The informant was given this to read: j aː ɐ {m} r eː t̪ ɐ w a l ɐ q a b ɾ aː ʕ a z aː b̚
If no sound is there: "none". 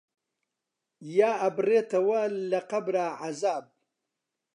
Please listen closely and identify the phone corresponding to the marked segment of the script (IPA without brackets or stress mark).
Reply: b